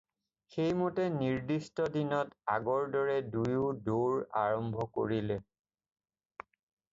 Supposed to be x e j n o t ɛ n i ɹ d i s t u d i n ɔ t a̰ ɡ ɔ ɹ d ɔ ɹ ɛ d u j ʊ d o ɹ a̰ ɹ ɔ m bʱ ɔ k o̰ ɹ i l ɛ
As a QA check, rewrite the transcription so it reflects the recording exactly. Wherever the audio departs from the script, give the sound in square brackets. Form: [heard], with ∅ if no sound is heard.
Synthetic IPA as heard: x e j [m] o t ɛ n i ɹ d i s t [ɔ] d i n ɔ t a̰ ɡ ɔ ɹ d ɔ ɹ ɛ d u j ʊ d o ɹ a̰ ɹ ɔ m bʱ ɔ k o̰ ɹ i l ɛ